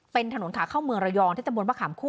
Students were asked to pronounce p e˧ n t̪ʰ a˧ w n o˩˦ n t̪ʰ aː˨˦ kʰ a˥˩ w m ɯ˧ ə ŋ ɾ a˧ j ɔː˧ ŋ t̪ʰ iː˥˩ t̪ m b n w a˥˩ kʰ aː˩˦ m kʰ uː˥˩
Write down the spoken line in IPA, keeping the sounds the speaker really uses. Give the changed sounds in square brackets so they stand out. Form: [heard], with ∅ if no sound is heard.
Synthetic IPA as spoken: p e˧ n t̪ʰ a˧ [∅] n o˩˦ n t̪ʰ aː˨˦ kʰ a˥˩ w m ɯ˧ ə ŋ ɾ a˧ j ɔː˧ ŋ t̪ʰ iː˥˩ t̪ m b n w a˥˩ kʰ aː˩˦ m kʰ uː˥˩

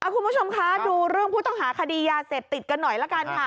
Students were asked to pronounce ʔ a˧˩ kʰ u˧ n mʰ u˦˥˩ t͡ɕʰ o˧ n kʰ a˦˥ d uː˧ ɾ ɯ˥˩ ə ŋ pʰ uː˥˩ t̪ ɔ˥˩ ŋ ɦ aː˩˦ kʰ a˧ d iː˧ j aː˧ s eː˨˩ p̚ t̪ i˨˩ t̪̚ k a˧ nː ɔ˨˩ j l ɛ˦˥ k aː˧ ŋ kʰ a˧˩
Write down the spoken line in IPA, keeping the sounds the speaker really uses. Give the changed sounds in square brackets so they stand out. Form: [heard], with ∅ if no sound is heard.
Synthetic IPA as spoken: ʔ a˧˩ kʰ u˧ n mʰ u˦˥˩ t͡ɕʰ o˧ [m] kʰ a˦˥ d uː˧ ɾ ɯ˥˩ ə ŋ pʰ uː˥˩ t̪ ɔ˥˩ ŋ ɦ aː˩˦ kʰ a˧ d iː˧ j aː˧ s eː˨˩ p̚ t̪ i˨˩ t̪̚ k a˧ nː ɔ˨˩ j l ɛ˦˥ k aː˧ [n] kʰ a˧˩

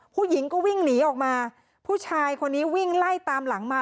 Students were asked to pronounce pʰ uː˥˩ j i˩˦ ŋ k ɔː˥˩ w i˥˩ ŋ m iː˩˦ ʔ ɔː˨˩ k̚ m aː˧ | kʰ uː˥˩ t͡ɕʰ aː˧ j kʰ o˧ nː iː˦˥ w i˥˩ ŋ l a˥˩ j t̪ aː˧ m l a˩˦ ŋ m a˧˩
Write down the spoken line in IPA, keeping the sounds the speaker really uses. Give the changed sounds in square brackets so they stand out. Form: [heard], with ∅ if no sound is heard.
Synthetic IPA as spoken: pʰ uː˥˩ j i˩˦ ŋ k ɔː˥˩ w i˥˩ ŋ [n] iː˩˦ ʔ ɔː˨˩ k̚ m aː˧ | [pʰ] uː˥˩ t͡ɕʰ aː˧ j kʰ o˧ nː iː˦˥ w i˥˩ ŋ l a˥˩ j t̪ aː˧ m l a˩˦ ŋ m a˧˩

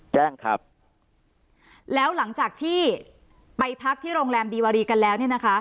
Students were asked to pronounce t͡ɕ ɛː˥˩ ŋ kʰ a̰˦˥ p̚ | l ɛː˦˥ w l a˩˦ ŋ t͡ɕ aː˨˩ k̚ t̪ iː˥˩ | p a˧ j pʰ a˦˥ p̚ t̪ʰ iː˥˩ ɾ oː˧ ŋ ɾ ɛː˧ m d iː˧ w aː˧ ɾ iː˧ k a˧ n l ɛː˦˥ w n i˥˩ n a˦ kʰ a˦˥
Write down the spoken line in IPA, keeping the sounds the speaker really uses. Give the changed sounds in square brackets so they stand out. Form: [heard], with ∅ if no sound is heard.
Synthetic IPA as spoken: t͡ɕ ɛː˥˩ ŋ kʰ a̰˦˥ p̚ | l ɛː˦˥ w l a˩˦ ŋ t͡ɕ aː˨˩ k̚ [t̪ʰ] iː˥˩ | p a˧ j pʰ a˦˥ [k̚] t̪ʰ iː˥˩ ɾ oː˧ ŋ ɾ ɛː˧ m d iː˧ w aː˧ ɾ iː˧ k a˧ n l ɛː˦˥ w n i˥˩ n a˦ kʰ a˦˥

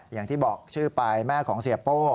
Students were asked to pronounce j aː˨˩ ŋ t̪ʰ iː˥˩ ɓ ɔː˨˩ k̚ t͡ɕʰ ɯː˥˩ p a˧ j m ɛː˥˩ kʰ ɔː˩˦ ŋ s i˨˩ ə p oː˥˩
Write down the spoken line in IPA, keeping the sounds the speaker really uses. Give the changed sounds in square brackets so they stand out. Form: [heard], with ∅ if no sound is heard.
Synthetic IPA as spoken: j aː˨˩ ŋ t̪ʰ iː˥˩ [b] ɔː˨˩ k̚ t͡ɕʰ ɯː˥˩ p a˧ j m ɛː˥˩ kʰ ɔː˩˦ ŋ s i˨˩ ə p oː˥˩

